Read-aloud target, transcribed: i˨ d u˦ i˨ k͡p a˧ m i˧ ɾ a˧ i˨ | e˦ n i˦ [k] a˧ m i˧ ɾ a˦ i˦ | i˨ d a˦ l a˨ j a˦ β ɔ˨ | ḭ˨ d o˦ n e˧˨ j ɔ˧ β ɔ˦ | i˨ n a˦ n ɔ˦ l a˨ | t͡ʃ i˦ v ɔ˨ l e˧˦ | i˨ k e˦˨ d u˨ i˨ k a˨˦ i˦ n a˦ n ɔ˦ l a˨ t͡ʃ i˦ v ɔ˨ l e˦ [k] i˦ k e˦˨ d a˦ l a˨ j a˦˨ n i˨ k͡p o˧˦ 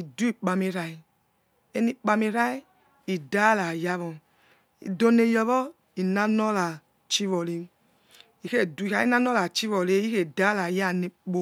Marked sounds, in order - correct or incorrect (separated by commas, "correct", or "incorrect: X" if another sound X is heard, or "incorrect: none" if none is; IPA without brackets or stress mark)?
incorrect: k͡p, incorrect: none